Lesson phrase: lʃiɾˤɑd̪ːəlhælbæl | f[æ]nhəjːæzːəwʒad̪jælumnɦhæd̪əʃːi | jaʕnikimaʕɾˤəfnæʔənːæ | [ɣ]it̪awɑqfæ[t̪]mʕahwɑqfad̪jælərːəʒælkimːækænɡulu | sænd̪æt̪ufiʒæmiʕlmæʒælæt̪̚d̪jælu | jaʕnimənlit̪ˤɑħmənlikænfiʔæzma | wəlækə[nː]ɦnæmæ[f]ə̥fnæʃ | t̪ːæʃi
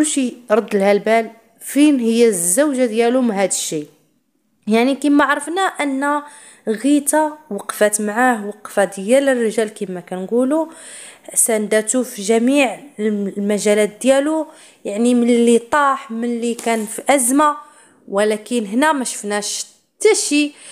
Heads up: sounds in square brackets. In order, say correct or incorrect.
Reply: incorrect, correct, correct, incorrect, incorrect

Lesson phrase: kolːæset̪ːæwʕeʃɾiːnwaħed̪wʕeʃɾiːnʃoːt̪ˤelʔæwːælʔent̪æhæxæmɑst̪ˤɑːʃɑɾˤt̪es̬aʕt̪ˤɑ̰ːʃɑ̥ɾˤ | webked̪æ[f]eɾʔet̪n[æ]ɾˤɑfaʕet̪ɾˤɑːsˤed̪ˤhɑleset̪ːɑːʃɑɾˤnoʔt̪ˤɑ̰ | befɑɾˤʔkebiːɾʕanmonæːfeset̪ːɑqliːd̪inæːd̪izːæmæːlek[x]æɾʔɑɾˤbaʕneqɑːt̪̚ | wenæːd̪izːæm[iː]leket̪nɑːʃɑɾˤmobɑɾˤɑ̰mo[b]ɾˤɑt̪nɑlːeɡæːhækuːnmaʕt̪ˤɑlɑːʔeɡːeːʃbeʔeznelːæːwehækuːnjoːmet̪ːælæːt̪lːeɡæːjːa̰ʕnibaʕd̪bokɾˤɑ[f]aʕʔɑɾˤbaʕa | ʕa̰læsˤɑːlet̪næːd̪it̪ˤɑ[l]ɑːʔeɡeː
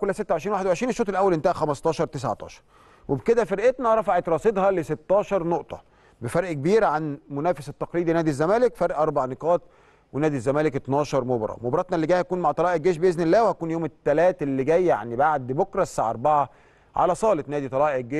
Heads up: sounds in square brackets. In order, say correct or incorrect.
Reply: correct, correct, incorrect, incorrect, correct, incorrect, correct

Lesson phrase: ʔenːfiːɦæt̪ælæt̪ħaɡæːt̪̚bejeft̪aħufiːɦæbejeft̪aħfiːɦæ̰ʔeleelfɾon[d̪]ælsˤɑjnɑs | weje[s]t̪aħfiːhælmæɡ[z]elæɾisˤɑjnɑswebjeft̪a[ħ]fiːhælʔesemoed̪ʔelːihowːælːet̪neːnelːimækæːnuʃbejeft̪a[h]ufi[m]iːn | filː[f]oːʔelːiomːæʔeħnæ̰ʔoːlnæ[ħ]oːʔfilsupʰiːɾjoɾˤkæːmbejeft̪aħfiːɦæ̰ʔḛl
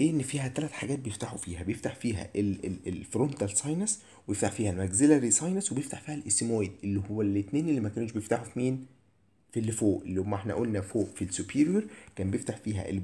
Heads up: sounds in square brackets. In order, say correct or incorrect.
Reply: incorrect, incorrect, correct, correct, incorrect, correct, correct, incorrect

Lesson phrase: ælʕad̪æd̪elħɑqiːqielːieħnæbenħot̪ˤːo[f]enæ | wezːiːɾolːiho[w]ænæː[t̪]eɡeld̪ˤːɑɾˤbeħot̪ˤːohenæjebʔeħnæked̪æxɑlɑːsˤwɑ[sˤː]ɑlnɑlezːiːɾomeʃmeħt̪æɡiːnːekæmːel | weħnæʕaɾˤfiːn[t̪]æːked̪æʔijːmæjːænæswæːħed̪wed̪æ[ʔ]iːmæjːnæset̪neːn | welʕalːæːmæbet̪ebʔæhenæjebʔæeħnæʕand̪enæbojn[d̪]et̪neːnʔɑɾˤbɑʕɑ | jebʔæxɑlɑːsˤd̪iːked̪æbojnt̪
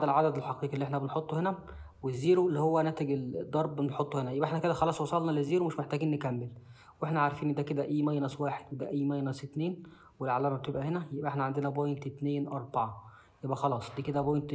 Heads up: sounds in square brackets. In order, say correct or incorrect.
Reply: incorrect, incorrect, correct, incorrect, incorrect, correct, incorrect

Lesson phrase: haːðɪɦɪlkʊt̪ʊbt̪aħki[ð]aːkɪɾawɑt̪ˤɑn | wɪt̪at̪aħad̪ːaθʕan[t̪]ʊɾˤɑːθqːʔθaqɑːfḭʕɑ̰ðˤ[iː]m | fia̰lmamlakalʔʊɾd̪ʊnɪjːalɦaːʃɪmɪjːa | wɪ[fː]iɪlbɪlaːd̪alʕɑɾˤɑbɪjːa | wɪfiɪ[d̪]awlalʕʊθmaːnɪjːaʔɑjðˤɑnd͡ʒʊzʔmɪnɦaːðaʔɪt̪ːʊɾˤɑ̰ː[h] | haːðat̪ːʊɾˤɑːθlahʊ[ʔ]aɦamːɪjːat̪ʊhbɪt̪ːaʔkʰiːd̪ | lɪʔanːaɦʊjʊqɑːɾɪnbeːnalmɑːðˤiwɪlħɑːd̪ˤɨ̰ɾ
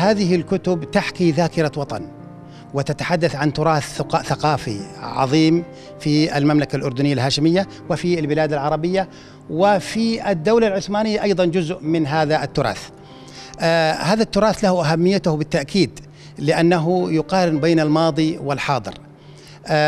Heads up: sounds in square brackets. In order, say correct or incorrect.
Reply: correct, correct, correct, incorrect, incorrect, incorrect, correct

